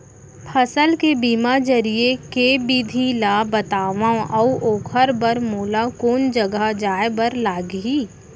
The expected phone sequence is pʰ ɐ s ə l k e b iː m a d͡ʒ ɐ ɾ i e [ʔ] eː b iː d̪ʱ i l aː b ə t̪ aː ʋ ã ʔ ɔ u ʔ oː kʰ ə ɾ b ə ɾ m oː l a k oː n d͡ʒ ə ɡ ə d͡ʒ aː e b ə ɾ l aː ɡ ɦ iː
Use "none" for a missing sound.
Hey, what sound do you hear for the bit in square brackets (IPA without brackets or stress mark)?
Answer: k